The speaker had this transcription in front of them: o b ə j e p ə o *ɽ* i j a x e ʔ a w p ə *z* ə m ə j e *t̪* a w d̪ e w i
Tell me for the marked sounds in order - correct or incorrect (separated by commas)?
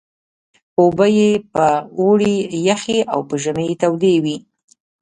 correct, incorrect, correct